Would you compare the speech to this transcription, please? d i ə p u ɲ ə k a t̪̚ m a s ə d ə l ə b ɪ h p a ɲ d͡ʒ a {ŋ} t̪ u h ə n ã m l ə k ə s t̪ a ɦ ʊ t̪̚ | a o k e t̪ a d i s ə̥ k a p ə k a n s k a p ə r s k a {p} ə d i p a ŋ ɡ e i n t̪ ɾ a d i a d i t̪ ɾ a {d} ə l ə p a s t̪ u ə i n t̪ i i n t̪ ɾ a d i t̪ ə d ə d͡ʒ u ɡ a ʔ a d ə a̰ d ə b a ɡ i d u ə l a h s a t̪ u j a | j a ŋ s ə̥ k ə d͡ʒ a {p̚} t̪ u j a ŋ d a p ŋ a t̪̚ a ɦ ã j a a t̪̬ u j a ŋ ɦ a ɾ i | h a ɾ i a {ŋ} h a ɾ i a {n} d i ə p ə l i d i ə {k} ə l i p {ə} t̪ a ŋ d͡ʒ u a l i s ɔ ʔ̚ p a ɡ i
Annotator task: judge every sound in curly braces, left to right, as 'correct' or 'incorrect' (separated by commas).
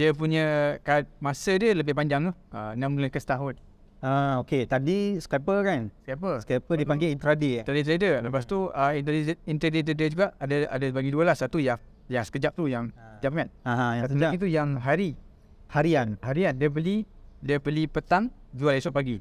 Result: correct, correct, correct, correct, incorrect, correct, incorrect, correct